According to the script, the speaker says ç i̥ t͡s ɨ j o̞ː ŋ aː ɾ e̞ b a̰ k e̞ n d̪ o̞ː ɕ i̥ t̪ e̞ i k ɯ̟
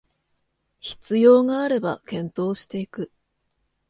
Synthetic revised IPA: ç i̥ t͡s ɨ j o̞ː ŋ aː ɾ e̞ b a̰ k ẽ̞ n t̪ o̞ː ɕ i̥ t̪ e̞ i k ɯ̟